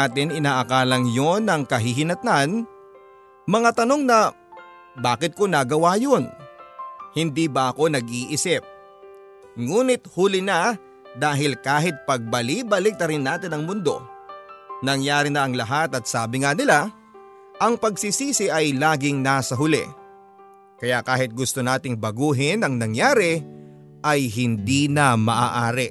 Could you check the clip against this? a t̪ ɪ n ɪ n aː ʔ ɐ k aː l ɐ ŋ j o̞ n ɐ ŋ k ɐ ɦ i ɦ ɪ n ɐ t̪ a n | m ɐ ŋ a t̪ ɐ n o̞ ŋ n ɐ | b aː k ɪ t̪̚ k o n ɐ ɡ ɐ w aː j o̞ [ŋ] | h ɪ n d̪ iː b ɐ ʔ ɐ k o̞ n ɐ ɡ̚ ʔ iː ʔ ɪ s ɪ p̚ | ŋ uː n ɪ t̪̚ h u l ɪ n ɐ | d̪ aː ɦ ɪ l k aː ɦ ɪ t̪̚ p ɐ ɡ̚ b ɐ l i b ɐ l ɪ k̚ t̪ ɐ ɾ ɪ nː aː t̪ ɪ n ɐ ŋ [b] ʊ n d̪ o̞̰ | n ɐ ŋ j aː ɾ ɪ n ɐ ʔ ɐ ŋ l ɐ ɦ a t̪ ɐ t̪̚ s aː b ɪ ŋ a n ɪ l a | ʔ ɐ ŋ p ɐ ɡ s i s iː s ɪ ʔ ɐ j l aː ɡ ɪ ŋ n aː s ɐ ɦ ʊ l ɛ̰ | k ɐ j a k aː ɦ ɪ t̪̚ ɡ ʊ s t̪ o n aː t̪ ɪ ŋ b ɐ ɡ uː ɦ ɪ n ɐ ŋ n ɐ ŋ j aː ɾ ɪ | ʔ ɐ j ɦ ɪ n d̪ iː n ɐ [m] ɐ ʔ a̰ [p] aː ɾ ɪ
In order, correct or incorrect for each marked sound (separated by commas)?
incorrect, incorrect, correct, incorrect